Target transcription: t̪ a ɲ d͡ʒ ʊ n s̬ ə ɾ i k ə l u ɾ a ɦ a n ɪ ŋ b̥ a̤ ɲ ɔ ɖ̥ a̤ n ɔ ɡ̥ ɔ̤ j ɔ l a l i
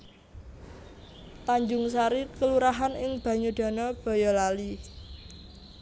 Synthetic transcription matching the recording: t̪ a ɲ d͡ʒ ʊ ŋ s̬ a ɾ i k ə l u ɾ a ɦ a n ɪ ŋ b̥ a̤ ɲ u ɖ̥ a̤ n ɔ b̥ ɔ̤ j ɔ l a l i